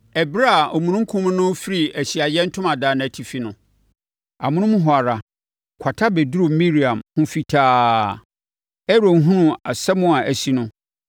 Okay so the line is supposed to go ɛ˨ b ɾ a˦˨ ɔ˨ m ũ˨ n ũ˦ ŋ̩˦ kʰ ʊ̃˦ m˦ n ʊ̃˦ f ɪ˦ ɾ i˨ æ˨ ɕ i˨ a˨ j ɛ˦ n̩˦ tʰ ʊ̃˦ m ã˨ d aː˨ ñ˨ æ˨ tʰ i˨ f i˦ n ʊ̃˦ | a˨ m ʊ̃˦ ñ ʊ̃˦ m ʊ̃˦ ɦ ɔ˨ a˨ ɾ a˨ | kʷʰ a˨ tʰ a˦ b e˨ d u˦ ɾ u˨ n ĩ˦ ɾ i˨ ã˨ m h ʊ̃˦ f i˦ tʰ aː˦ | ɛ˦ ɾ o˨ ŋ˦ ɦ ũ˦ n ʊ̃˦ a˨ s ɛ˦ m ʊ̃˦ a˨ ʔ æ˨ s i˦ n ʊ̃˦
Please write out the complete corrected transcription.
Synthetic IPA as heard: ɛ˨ b ɾ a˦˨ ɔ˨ m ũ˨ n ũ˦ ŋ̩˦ kʰ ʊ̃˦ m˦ n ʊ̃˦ f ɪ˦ ɾ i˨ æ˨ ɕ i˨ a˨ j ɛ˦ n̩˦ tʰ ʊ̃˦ m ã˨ d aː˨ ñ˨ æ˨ tʰ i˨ f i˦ n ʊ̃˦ | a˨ m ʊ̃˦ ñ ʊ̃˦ m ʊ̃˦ ɦ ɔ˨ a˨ ɾ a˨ | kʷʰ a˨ tʰ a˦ b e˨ d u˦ ɾ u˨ m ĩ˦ ɾ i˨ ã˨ m h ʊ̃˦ f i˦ tʰ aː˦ | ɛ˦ ɾ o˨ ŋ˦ ɦ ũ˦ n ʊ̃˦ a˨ s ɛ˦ m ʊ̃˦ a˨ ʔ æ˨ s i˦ n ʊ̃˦